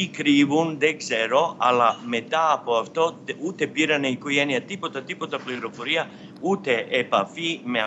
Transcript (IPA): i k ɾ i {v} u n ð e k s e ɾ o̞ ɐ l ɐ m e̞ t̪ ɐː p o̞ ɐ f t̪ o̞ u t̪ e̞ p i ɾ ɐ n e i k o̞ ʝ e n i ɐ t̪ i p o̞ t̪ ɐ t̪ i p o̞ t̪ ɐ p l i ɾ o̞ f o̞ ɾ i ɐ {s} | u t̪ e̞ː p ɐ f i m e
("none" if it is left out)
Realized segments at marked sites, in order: v, none

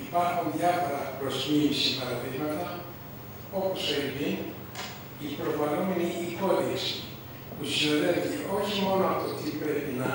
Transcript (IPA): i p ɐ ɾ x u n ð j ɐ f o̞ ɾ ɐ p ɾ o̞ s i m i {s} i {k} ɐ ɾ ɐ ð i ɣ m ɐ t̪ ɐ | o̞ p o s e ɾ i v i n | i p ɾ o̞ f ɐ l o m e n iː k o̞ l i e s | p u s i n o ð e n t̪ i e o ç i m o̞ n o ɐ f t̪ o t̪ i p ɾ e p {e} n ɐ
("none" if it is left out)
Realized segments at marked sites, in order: s, p, i

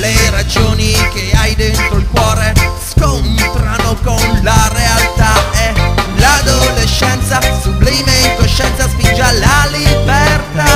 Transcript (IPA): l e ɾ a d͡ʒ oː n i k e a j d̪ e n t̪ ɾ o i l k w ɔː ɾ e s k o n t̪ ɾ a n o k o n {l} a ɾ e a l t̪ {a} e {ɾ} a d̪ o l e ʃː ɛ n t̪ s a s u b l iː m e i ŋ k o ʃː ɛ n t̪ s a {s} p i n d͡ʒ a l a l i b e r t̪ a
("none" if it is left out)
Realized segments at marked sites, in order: l, a, l, s

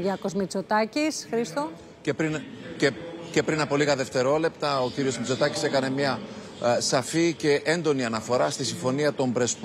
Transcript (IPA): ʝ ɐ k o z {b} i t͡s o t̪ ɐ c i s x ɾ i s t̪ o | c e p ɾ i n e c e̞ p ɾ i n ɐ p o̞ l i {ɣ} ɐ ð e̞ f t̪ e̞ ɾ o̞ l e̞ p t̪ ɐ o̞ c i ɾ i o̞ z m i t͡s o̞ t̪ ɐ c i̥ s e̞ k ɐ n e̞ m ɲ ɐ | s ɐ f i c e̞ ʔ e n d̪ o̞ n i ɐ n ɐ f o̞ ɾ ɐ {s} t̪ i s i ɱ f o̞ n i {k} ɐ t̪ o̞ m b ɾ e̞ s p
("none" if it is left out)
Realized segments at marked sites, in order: m, ɣ, s, none

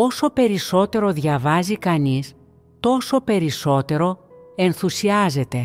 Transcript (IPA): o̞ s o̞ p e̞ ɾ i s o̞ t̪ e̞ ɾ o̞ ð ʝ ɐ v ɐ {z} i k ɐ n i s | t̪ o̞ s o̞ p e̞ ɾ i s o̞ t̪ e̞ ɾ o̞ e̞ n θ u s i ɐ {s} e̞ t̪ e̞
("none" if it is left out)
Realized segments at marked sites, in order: z, z

